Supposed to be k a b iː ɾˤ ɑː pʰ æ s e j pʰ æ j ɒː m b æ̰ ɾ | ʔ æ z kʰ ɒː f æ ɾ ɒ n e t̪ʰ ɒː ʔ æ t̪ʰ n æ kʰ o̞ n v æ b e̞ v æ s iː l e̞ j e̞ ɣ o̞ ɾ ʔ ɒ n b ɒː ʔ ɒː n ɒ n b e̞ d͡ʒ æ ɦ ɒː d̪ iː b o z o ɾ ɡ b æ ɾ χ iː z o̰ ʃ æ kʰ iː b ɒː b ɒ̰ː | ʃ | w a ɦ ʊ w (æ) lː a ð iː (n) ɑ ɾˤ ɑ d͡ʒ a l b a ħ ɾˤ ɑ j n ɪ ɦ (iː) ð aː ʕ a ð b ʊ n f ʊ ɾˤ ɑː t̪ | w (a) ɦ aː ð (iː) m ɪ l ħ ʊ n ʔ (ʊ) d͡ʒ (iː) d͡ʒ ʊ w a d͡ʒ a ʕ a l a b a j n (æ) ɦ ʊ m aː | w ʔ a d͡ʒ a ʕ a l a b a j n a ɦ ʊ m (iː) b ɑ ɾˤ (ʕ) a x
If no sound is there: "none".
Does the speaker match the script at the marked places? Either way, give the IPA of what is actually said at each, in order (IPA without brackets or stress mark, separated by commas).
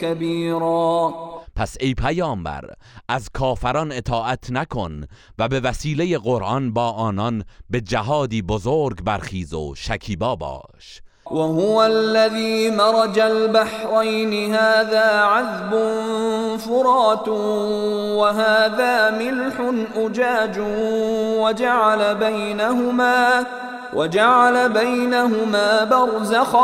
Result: a, m, aː, a, aː, ʊ, aː, a, aː, z